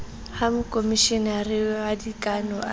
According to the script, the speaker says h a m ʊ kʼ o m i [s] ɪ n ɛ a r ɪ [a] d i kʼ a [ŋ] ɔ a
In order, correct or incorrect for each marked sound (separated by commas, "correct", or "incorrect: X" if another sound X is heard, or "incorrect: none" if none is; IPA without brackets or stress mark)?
incorrect: ʃ, correct, incorrect: n